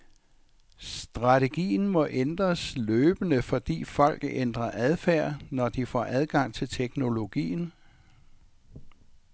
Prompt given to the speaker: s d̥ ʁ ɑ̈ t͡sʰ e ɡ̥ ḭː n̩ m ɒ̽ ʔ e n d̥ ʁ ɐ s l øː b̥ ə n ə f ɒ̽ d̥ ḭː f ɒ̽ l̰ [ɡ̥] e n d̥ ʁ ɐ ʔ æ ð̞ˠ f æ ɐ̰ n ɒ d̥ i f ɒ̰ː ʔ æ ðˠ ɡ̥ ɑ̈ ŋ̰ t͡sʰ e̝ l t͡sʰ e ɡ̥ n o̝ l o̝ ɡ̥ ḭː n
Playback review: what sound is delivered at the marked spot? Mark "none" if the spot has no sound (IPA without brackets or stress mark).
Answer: ɡ̥